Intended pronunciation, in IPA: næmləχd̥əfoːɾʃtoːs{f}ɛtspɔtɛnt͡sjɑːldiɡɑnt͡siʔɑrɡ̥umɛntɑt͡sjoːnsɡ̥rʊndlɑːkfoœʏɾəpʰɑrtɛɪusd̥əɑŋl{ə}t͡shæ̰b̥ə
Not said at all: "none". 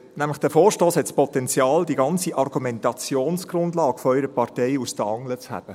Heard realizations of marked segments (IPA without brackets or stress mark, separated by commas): h, ə